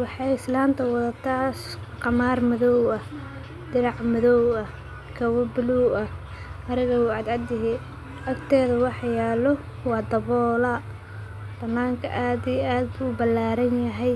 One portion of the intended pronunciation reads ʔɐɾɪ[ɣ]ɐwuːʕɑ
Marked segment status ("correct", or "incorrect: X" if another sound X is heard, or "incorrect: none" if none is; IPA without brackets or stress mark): correct